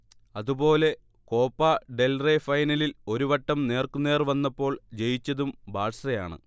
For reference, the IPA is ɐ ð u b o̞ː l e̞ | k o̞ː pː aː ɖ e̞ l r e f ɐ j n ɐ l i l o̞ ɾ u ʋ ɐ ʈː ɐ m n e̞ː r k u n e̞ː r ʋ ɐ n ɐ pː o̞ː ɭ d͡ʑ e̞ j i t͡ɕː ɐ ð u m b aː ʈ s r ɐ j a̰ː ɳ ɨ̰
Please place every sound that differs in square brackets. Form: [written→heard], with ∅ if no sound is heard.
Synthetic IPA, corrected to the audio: ɐ ð u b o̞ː l e̞ | k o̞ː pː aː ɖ e̞ l r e f ɐ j n ɐ l i l o̞ ɾ u ʋ ɐ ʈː ɐ m n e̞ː r k u n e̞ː r ʋ ɐ [n→nː] ɐ pː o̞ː ɭ d͡ʑ e̞ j i t͡ɕː ɐ ð u m b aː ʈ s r ɐ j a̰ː ɳ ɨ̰